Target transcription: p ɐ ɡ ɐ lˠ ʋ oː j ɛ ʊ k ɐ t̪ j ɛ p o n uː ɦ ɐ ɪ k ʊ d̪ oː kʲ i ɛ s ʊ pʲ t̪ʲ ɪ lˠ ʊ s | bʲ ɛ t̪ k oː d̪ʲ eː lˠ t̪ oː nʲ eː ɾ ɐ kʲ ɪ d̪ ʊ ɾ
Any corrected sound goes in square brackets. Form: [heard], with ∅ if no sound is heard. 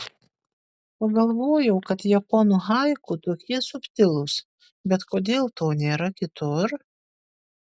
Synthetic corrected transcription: p ɐ ɡ ɐ lˠ ʋ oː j ɛ ʊ k ɐ t̪ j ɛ p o n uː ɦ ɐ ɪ k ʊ [t̪] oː kʲ i ɛ s ʊ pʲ t̪ʲ ɪ lˠ ʊ s | bʲ ɛ t̪ k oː d̪ʲ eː lˠ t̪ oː nʲ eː ɾ ɐ kʲ ɪ [t̪] ʊ ɾ